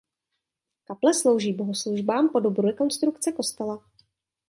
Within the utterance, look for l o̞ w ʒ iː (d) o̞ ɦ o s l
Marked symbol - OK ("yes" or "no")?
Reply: no